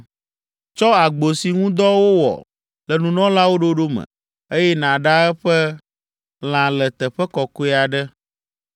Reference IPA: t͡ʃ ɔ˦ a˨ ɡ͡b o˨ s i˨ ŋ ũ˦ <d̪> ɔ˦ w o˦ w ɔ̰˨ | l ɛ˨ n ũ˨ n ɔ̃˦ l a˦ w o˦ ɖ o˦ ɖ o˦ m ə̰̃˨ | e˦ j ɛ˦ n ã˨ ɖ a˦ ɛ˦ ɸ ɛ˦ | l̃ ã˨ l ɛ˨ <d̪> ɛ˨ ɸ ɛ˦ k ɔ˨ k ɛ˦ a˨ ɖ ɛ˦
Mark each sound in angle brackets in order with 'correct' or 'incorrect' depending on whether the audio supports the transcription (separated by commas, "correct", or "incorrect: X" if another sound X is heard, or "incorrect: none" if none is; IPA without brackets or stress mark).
correct, incorrect: t̪